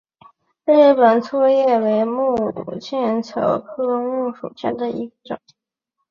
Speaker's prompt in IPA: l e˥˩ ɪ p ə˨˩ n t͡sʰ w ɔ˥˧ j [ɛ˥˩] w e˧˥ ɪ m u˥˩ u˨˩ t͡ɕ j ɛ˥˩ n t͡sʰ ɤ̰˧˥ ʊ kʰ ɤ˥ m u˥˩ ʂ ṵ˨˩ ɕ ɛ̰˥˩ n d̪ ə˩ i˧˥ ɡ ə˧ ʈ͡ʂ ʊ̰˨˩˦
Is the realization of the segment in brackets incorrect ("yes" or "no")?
no